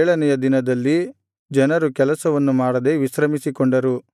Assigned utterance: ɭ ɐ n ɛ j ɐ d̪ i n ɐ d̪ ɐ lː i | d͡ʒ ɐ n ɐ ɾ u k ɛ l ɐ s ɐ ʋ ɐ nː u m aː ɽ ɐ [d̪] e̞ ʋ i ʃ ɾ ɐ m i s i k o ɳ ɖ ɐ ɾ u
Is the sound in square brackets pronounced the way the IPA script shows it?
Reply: yes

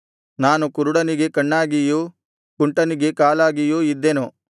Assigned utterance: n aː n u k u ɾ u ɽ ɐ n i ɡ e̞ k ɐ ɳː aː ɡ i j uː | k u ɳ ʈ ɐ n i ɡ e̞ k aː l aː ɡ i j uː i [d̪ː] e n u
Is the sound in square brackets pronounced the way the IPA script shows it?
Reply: yes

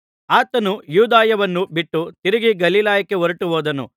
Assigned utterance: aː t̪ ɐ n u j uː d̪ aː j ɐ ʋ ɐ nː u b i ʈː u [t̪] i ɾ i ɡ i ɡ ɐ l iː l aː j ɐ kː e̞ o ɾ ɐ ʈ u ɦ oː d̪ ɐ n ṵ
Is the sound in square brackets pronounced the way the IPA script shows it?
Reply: yes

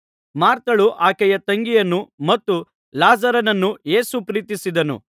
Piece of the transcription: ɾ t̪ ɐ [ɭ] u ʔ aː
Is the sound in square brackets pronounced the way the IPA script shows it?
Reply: yes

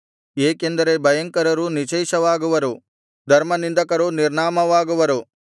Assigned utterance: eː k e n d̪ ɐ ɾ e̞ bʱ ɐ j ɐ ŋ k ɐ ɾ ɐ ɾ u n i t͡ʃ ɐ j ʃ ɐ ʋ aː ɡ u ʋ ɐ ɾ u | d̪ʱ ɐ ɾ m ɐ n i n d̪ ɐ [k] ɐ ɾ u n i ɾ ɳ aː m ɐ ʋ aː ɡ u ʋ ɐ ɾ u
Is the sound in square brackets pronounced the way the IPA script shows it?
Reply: yes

